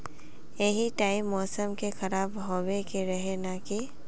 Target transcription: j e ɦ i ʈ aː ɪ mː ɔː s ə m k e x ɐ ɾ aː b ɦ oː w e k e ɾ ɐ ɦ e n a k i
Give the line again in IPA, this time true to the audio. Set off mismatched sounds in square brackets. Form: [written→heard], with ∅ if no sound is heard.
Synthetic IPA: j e ɦ i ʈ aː ɪ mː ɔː s ə m k e x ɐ ɾ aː b ɦ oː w e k e ɾ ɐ ɦ e n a k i